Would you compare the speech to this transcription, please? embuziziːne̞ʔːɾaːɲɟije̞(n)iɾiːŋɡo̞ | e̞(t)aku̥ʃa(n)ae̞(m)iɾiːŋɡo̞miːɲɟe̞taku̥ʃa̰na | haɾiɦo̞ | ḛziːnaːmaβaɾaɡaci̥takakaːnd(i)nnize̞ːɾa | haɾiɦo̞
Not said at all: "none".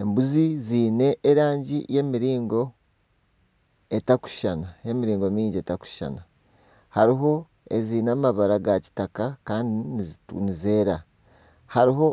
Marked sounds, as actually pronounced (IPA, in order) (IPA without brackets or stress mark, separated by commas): m, t, n, m, i